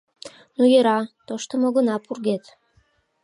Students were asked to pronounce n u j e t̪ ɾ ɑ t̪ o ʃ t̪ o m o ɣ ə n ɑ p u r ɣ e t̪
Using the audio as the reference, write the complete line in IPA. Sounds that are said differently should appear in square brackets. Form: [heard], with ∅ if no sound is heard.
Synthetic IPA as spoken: n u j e [∅] ɾ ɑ t̪ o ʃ t̪ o m o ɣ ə n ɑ p u r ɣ e t̪